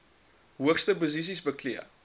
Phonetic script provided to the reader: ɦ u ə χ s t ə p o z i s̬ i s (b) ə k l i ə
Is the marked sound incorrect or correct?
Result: correct